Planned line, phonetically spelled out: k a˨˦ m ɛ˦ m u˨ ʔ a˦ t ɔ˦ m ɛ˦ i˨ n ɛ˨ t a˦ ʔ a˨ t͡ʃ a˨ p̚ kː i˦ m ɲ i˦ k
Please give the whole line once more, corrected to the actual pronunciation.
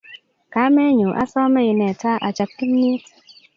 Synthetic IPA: k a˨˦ m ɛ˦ ɲ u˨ ʔ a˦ s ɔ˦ m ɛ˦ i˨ n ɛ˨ t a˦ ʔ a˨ t͡ʃ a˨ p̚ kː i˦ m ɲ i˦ t